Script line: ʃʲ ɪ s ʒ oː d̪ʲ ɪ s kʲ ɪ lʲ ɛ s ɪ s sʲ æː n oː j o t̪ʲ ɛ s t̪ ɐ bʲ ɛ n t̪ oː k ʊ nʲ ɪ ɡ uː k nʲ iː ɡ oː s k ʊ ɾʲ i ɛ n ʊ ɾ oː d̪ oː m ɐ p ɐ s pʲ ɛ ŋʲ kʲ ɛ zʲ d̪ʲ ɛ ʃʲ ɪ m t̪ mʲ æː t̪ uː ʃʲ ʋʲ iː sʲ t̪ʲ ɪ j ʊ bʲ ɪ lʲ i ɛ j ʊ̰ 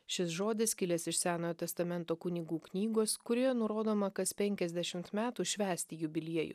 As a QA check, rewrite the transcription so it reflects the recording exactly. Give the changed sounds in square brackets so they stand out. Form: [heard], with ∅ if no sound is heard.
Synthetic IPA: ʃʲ ɪ s ʒ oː d̪ʲ ɪ s kʲ ɪ lʲ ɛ s ɪ [ʃ] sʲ æː n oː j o t̪ʲ ɛ s t̪ ɐ [mʲ] ɛ n t̪ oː k ʊ nʲ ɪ ɡ uː k nʲ iː ɡ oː s k ʊ ɾʲ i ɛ n ʊ ɾ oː d̪ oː m ɐ [k] ɐ s pʲ ɛ ŋʲ kʲ ɛ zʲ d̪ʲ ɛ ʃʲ ɪ m t̪ mʲ æː t̪ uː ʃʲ ʋʲ [æː] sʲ t̪ʲ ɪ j ʊ bʲ ɪ lʲ i ɛ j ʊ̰

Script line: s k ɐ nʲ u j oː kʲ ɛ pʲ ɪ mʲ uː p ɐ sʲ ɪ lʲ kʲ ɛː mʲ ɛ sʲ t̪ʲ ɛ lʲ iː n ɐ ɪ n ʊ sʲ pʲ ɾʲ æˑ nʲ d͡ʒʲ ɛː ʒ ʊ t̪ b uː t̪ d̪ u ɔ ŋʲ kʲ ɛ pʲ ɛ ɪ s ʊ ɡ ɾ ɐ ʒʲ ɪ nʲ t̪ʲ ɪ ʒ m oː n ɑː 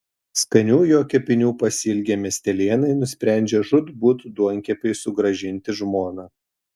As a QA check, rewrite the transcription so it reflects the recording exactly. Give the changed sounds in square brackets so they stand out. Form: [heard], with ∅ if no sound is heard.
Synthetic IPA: s k ɐ nʲ [uː] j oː kʲ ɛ pʲ ɪ [nʲ] uː p ɐ sʲ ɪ lʲ [ɡʲ] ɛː mʲ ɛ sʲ t̪ʲ ɛ lʲ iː n ɐ ɪ n ʊ sʲ pʲ ɾʲ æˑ nʲ d͡ʒʲ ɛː ʒ ʊ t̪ b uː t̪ d̪ u ɔ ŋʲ kʲ ɛ pʲ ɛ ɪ s ʊ ɡ ɾ ɐ ʒʲ ɪ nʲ t̪ʲ ɪ ʒ m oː n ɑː

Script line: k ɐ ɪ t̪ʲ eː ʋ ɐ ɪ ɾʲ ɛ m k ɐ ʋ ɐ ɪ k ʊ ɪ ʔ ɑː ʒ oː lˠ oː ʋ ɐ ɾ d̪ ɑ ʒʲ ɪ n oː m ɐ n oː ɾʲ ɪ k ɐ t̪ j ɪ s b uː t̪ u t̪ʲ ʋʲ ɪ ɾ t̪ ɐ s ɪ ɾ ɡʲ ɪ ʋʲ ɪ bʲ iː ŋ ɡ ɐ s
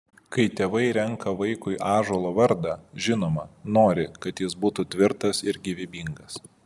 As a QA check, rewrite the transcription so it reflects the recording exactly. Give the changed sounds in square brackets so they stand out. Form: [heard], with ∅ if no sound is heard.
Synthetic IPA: k ɐ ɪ t̪ʲ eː ʋ ɐ ɪ ɾʲ ɛ [ŋ] k ɐ ʋ ɐ ɪ k ʊ ɪ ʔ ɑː ʒ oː lˠ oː ʋ ɐ ɾ d̪ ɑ ʒʲ ɪ n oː m ɐ n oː ɾʲ ɪ k ɐ t̪ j ɪ s b uː t̪ u t̪ʲ ʋʲ ɪ ɾ t̪ ɐ s ɪ ɾ ɡʲ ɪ ʋʲ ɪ bʲ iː ŋ ɡ ɐ s

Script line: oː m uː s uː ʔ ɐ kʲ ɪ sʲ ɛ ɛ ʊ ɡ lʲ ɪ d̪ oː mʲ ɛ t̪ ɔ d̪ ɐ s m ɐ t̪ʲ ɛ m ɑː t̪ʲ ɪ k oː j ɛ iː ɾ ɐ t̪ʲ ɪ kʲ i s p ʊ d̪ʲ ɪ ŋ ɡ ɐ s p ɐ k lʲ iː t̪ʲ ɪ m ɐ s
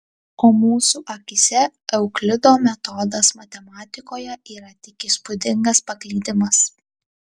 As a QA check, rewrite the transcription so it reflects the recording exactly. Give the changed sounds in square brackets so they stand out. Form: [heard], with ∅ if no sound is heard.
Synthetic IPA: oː m uː s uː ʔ ɐ kʲ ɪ sʲ ɛ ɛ ʊ [k] lʲ ɪ d̪ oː mʲ ɛ t̪ ɔ d̪ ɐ s m ɐ t̪ʲ ɛ m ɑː t̪ʲ ɪ k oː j ɛ iː ɾ ɐ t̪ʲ ɪ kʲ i s p ʊ d̪ʲ ɪ ŋ ɡ ɐ s p ɐ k lʲ iː [d̪ʲ] ɪ m ɐ s

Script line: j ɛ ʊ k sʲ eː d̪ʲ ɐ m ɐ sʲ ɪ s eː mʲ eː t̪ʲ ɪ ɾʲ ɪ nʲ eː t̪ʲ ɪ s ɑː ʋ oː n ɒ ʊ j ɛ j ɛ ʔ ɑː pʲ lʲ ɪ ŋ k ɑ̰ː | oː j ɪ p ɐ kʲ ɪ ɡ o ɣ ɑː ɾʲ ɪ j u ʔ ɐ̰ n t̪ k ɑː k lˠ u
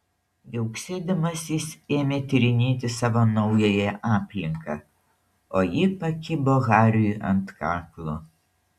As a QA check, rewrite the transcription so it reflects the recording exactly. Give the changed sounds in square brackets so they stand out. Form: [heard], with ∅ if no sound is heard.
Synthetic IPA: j ɛ ʊ k sʲ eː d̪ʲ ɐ m ɐ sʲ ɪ s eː mʲ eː t̪ʲ ɪ ɾʲ ɪ nʲ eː t̪ʲ ɪ s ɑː ʋ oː n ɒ ʊ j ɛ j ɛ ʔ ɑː pʲ lʲ ɪ ŋ k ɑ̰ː | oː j ɪ p ɐ kʲ ɪ [b] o ɣ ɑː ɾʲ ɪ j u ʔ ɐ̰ n t̪ k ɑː k lˠ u

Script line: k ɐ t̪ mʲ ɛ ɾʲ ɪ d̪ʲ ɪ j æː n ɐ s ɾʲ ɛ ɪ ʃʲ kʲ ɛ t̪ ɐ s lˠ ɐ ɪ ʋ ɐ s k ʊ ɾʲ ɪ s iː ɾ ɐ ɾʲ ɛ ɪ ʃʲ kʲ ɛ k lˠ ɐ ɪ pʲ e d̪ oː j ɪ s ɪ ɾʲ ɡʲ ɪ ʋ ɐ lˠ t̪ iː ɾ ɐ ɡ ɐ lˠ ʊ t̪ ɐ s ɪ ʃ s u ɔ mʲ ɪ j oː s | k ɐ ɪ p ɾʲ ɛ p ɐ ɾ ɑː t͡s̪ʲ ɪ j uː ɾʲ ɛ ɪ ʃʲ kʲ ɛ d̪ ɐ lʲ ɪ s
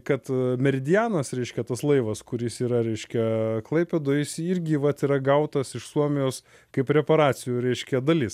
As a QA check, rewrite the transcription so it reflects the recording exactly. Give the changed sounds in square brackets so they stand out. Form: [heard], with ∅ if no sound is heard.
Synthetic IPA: k ɐ t̪ mʲ ɛ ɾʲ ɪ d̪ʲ ɪ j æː n ɐ s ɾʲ ɛ ɪ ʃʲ kʲ ɛ t̪ ɐ s lˠ ɐ ɪ ʋ ɐ s k ʊ ɾʲ ɪ s iː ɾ ɐ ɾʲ ɛ ɪ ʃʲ kʲ ɛ k lˠ ɐ ɪ pʲ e d̪ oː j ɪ s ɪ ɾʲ ɡʲ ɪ ʋ ɐ [∅] t̪ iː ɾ ɐ ɡ ɐ [∅] ʊ t̪ ɐ s ɪ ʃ s u ɔ mʲ ɪ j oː s | k ɐ ɪ p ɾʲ ɛ p ɐ ɾ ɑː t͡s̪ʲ ɪ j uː ɾʲ ɛ ɪ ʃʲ kʲ ɛ d̪ ɐ lʲ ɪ s

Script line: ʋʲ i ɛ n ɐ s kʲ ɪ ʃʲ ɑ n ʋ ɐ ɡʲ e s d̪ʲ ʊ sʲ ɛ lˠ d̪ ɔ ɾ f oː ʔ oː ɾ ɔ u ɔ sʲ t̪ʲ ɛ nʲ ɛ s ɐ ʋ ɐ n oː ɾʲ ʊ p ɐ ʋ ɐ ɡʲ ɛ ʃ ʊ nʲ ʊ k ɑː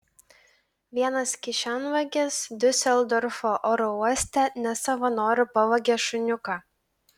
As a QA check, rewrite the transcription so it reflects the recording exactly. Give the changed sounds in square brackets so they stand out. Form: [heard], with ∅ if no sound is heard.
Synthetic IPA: ʋʲ i ɛ n ɐ s kʲ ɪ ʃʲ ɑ n ʋ ɐ ɡʲ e s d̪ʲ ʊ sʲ ɛ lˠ d̪ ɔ ɾ f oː ʔ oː ɾ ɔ u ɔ sʲ t̪ʲ ɛ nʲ ɛ s ɐ ʋ ɐ n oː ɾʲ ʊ p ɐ ʋ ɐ ɡʲ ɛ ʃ ʊ nʲ ʊ k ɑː

